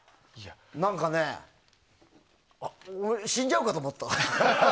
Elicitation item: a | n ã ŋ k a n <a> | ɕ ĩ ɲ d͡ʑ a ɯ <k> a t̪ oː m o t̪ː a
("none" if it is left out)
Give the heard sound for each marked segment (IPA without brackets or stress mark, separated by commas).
e, k